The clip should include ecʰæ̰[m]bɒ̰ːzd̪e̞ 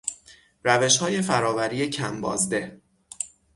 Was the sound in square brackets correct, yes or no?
yes